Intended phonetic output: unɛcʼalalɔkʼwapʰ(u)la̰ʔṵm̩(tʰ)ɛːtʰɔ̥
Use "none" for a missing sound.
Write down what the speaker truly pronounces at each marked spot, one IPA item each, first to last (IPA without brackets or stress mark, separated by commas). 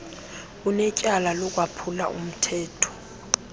u, tʰ